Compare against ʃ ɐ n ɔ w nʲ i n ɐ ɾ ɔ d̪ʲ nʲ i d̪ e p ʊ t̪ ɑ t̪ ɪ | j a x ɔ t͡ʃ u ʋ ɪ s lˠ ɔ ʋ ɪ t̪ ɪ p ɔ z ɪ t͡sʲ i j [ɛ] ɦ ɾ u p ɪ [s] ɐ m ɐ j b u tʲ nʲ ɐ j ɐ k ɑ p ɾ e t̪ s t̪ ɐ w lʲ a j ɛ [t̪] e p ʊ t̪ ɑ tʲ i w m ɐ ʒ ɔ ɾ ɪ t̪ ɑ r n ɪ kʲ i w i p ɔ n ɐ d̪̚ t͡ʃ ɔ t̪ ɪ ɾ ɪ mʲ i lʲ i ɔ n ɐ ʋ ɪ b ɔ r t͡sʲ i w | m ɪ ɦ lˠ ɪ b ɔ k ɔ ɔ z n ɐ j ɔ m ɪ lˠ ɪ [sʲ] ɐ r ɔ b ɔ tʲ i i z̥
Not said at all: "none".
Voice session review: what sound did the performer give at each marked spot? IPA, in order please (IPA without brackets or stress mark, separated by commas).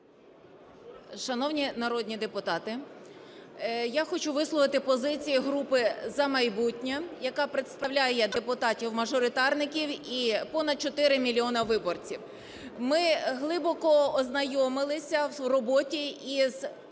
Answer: i, z, d̪, sʲ